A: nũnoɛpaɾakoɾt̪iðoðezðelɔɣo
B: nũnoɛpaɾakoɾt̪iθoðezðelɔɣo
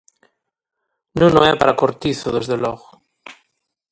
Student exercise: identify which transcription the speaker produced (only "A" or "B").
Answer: B